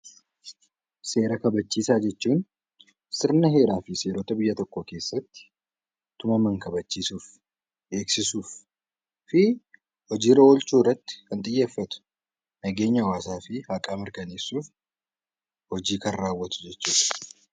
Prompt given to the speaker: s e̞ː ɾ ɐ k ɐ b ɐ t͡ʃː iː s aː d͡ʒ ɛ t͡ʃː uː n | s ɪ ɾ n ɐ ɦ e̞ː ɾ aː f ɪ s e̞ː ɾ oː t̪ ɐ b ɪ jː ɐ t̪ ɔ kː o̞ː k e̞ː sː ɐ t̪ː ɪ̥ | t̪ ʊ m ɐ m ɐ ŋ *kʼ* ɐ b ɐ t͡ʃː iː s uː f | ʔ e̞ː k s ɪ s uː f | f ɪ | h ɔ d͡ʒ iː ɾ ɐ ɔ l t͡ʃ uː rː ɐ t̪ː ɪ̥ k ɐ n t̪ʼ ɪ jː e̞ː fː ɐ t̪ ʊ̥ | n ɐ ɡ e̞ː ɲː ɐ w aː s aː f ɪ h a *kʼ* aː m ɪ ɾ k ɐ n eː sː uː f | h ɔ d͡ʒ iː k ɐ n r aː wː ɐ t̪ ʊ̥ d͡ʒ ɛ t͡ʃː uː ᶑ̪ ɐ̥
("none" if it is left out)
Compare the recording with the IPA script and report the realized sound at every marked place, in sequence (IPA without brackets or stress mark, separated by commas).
k, kʼ